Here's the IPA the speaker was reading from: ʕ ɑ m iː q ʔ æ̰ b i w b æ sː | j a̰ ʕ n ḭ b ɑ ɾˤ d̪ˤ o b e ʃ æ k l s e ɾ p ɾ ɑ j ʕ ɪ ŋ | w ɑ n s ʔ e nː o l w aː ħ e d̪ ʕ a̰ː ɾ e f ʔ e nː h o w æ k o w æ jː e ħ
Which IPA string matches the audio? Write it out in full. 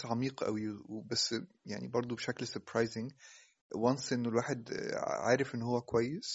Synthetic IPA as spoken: ʕ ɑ m iː q ʔ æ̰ w i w b æ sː | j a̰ ʕ n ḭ b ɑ ɾˤ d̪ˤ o b e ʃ æ k l s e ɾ p ɾ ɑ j z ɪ ŋ | w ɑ n s ʔ e nː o l w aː ħ e d̪ ʕ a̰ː ɾ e f ʔ e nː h o wː æ k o w æ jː e s